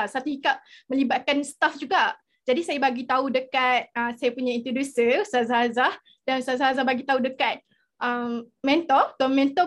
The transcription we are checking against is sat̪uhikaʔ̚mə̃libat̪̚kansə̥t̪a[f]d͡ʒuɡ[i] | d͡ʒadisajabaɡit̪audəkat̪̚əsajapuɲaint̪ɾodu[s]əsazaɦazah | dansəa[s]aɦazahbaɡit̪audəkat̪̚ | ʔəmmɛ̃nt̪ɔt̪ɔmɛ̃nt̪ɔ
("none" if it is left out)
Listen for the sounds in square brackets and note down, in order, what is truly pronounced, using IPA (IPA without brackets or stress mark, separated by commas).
f, a, s, z